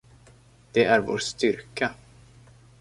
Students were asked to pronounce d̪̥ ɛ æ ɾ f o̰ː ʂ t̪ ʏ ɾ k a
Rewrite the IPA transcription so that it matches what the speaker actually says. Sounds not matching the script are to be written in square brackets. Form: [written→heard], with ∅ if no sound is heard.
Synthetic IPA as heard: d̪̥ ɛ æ ɾ [f→v] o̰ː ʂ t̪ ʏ ɾ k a